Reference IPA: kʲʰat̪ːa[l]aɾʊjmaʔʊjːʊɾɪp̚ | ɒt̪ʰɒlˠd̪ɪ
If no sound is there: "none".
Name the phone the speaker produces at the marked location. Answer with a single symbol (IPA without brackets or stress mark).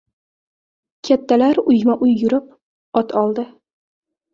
l